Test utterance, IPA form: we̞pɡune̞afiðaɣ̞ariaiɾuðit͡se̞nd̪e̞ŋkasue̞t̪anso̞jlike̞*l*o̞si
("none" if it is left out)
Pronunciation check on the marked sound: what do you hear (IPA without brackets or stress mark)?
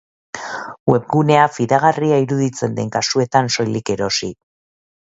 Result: ɾ